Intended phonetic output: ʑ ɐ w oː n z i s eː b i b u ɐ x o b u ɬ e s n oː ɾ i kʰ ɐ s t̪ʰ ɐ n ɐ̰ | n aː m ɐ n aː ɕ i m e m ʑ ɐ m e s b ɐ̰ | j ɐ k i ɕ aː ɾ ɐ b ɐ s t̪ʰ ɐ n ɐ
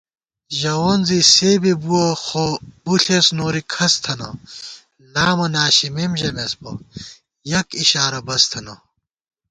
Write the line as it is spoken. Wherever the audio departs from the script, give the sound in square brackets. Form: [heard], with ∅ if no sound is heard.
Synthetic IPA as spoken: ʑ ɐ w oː n z i s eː b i b u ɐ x o b u ɬ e s n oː ɾ i kʰ ɐ s t̪ʰ ɐ n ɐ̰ | n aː m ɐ n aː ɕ i m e m ʑ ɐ m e s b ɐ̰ | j ɐ k i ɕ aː ɾ ɐ b ɐ s t̪ʰ ɐ n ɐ